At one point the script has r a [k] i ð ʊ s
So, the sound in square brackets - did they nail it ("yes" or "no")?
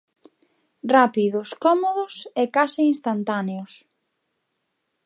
no